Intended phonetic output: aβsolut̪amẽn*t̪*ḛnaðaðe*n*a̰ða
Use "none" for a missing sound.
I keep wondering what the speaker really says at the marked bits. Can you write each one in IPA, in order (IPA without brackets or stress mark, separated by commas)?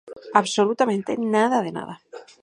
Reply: t̪, n